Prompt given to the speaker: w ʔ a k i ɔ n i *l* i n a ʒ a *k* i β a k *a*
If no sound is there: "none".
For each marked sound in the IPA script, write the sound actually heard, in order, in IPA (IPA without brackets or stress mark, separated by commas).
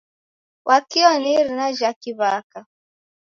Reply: ɾ, k, a